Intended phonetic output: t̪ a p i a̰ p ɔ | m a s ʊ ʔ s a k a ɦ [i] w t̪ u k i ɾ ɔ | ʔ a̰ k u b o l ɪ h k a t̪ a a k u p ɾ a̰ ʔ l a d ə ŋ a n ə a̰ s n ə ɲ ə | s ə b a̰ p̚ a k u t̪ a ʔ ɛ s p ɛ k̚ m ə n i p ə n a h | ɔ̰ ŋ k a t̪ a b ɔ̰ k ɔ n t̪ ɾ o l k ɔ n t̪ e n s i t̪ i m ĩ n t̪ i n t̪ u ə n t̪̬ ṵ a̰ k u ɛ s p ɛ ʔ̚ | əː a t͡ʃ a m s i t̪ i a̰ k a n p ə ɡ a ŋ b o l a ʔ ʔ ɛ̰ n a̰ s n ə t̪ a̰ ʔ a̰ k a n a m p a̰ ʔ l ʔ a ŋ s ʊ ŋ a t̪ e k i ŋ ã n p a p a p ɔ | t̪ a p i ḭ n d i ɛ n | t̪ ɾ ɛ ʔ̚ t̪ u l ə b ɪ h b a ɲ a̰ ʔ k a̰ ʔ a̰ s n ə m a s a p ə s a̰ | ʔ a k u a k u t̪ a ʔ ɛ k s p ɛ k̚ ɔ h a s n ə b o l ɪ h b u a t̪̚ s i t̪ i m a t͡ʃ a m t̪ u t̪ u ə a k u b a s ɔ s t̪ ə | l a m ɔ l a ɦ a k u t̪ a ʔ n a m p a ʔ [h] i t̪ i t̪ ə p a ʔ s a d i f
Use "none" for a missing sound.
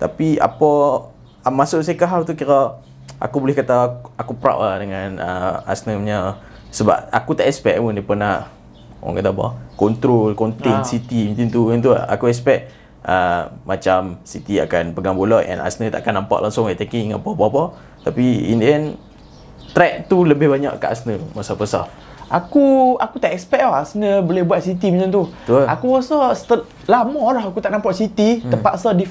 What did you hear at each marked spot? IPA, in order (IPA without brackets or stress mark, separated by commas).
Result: a, s